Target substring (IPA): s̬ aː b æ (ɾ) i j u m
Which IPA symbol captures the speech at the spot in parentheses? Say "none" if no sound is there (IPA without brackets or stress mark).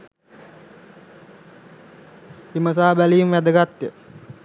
l